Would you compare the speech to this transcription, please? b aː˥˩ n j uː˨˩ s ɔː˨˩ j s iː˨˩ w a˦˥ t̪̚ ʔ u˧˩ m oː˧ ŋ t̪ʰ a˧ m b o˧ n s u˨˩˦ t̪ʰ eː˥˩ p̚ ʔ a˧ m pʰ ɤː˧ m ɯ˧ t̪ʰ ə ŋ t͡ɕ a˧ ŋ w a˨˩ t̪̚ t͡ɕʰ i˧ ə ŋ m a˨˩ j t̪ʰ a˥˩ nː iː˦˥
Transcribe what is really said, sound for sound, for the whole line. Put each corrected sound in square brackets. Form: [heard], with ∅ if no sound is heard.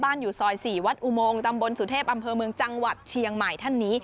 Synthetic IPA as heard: b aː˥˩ n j uː˨˩ s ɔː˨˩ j s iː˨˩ w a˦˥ t̪̚ ʔ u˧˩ m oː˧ ŋ [t̪] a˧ m b o˧ n s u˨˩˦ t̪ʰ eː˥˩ p̚ ʔ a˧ m pʰ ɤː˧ m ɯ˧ [∅] ə ŋ t͡ɕ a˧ ŋ w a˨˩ t̪̚ t͡ɕʰ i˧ ə ŋ m a˨˩ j t̪ʰ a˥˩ nː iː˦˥